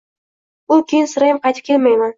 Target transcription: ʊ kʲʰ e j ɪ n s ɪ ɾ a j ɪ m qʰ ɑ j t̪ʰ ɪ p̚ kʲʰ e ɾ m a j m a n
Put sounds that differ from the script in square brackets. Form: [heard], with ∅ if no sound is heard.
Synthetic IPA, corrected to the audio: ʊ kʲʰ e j ɪ n s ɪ ɾ a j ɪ m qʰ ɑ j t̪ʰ ɪ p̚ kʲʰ e [l] m a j m a n